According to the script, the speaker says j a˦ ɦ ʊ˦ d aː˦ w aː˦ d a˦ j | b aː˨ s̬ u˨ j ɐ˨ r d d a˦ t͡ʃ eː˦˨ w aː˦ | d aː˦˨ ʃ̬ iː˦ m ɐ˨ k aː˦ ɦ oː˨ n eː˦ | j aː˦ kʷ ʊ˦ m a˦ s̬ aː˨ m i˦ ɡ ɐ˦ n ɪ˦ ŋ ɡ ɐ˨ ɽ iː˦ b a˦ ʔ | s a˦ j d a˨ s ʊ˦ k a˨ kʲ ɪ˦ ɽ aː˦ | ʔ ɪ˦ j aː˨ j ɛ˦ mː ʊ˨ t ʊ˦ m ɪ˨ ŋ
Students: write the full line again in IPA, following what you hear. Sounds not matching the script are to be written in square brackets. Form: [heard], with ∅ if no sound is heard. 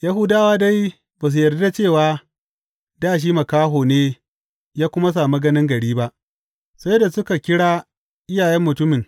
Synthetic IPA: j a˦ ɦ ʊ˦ d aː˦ w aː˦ d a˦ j | b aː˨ s̬ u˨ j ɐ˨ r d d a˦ t͡ʃ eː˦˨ w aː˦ | d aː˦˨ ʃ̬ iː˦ m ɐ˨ k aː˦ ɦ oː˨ n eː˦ | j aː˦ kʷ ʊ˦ m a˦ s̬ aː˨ m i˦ ɡ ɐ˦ n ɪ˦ ŋ ɡ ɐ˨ ɽ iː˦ b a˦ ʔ | s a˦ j d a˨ s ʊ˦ k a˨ kʲ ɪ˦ ɽ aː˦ | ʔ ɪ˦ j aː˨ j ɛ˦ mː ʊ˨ t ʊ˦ m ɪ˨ ŋ